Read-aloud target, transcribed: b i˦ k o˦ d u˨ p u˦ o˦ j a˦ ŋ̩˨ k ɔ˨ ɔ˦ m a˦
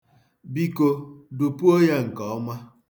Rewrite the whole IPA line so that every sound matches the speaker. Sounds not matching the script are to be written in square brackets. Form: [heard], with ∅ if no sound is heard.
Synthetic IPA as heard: b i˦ k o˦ d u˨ p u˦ o˦ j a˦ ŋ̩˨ k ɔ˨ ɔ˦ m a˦